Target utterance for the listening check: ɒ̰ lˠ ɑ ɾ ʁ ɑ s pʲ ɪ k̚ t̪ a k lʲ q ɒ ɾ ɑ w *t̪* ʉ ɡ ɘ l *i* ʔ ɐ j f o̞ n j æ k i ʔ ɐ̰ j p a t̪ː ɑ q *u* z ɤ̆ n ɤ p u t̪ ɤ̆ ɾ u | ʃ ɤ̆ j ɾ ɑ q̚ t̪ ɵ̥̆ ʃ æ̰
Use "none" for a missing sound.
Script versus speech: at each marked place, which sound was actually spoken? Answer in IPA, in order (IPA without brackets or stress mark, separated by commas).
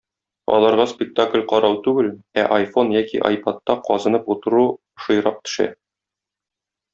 t̪, æ, ɒ